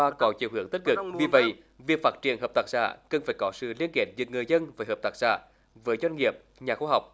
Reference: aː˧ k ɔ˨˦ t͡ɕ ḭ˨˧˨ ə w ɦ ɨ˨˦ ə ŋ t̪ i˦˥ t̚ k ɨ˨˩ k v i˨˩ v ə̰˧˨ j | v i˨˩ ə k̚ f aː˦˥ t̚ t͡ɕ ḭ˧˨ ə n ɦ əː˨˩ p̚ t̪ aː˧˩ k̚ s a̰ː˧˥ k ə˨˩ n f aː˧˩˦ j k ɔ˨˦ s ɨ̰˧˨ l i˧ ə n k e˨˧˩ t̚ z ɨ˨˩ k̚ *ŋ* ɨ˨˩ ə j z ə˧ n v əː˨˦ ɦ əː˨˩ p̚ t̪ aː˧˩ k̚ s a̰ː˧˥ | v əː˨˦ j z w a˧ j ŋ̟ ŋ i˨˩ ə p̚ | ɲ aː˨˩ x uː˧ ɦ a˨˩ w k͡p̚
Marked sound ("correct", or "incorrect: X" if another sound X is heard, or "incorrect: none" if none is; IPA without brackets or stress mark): correct